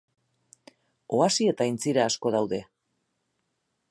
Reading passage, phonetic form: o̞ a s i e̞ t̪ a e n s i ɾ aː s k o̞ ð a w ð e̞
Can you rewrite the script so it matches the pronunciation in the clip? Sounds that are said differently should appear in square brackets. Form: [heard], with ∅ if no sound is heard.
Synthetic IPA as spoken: o̞ a s i e̞ t̪ a [i] n [t͡s] i ɾ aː s k o̞ ð a w ð e̞